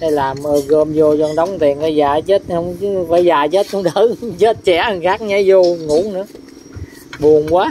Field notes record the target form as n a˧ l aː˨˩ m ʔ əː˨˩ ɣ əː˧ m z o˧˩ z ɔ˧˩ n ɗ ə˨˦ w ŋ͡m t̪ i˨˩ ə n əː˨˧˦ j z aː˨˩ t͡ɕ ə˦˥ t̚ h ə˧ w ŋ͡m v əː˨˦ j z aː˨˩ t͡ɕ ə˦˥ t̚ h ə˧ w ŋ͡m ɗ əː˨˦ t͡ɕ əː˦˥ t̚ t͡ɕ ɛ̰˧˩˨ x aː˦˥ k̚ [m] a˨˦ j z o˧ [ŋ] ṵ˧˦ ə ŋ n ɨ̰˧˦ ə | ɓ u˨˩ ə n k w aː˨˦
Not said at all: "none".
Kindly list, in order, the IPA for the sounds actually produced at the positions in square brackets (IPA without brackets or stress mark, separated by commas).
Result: ɲ, ŋ